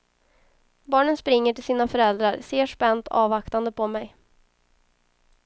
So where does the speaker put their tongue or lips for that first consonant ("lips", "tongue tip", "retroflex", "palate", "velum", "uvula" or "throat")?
lips